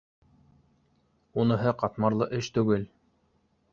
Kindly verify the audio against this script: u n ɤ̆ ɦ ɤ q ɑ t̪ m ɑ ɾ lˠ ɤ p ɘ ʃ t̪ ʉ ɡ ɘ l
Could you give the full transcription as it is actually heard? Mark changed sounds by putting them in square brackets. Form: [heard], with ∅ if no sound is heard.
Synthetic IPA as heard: u n ɤ̆ ɦ ɤ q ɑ t̪ m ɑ ɾ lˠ ɤ [ʔ] ɘ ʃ t̪ ʉ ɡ ɘ l